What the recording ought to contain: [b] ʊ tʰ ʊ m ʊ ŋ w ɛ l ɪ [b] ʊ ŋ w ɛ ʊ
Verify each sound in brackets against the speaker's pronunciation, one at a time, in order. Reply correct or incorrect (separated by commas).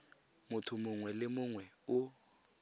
incorrect, incorrect